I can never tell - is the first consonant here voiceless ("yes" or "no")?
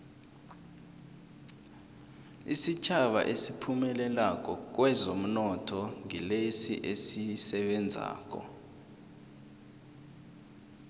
yes